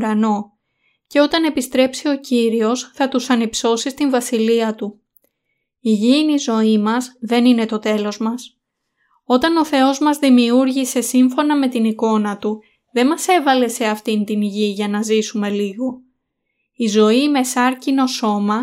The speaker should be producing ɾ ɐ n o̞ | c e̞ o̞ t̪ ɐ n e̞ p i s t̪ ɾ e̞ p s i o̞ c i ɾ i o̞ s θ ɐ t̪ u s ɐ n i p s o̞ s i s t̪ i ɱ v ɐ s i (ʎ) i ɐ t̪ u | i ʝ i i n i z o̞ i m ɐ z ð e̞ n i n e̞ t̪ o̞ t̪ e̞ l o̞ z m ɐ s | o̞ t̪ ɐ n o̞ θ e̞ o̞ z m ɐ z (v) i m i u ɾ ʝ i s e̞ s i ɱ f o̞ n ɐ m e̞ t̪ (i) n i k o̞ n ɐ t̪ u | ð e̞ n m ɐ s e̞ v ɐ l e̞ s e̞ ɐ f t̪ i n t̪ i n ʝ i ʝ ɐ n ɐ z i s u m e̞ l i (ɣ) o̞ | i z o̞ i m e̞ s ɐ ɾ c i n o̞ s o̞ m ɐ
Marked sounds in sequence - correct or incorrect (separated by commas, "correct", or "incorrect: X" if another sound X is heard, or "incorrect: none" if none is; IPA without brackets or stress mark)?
incorrect: l, incorrect: ð, correct, correct